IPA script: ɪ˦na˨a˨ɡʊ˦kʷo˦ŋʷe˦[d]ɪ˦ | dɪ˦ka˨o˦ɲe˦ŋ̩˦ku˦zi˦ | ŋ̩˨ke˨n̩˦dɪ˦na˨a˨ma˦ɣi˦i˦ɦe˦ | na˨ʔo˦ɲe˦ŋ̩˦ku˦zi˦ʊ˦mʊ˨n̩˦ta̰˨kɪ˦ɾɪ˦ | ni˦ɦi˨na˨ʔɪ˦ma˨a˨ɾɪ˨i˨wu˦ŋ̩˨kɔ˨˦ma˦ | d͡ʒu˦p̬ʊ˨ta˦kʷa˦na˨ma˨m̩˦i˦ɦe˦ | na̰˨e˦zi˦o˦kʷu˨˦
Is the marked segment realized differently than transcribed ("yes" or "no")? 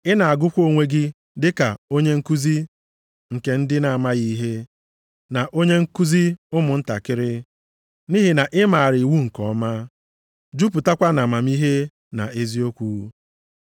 yes